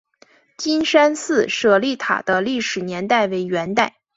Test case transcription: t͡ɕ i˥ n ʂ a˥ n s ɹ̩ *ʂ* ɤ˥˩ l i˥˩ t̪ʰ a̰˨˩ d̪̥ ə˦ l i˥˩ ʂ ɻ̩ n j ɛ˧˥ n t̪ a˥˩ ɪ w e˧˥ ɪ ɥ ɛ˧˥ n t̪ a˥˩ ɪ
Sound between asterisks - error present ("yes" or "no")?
no